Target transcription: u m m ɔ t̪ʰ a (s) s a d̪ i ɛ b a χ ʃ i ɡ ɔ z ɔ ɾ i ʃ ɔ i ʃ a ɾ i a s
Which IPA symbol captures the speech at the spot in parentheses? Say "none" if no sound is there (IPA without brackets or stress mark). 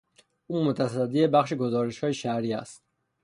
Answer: s